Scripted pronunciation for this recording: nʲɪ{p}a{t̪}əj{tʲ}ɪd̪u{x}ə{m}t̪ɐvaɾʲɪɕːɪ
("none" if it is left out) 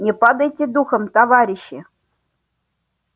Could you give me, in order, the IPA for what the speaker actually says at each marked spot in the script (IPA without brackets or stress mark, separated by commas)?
p, d̪, tʲ, x, m